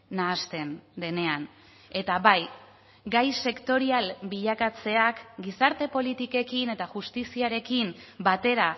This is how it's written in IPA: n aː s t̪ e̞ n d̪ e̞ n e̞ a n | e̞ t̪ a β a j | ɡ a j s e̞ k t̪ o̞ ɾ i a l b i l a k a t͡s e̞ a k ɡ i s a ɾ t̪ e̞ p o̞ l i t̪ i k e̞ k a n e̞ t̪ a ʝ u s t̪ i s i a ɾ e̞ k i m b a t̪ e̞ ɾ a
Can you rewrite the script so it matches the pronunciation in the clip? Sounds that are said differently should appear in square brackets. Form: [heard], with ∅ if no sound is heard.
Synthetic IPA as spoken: n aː s t̪ e̞ n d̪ e̞ n e̞ a n | e̞ t̪ a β a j | ɡ a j s e̞ k t̪ o̞ ɾ i a l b i [ʎ] a k a t͡s e̞ a k ɡ i s a ɾ t̪ e̞ p o̞ l i t̪ i k e̞ k [i] n e̞ t̪ a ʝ u s t̪ i s i a ɾ e̞ k i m b a t̪ e̞ ɾ a